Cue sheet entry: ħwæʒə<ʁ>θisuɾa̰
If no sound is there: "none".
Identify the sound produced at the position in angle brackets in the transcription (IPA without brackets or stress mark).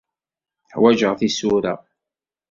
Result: ʁ